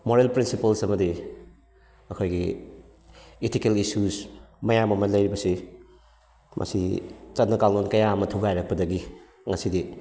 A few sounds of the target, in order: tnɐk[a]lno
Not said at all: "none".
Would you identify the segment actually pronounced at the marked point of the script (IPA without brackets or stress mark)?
a